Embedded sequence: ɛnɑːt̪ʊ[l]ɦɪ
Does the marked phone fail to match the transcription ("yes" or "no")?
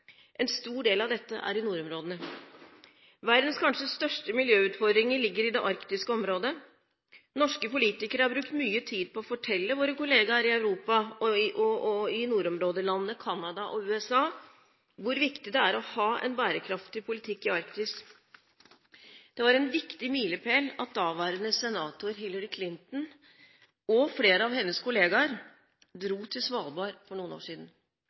yes